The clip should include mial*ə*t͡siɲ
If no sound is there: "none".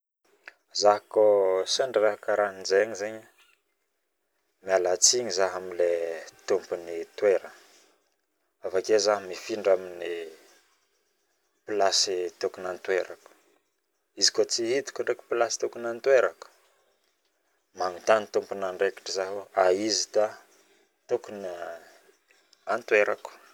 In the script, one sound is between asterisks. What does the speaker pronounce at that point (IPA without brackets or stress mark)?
a